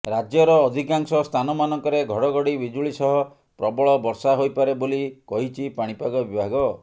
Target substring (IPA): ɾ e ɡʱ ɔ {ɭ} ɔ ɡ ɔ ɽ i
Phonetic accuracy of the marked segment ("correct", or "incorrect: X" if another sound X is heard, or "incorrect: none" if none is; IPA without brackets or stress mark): incorrect: ɽ